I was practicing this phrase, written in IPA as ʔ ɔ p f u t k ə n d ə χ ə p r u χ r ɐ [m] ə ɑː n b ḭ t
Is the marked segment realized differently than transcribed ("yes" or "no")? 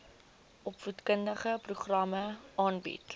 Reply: no